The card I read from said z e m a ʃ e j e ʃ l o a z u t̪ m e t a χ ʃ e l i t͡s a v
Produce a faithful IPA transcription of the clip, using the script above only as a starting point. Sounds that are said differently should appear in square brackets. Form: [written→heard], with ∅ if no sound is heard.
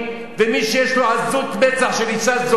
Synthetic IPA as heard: [z→v] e m [a→i] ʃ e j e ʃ l o a z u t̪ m e [t→t͡s] a χ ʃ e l i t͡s a [v→z]